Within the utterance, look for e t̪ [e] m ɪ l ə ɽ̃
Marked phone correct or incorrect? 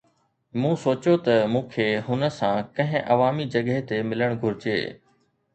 correct